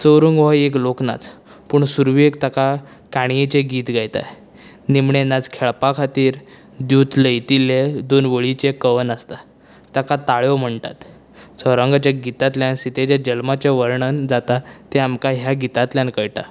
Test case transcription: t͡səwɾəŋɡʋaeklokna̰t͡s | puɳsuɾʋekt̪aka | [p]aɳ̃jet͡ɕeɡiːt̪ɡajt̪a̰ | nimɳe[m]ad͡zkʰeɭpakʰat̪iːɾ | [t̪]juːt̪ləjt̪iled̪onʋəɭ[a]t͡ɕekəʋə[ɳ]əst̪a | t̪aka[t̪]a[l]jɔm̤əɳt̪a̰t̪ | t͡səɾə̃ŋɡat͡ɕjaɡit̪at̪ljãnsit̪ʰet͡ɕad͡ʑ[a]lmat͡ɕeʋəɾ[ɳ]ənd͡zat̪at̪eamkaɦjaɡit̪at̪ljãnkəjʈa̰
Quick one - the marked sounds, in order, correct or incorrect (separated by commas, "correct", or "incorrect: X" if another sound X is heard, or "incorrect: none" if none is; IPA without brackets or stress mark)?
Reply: incorrect: k, incorrect: n, incorrect: d̪, incorrect: i, incorrect: n, correct, incorrect: ɭ, incorrect: ə, correct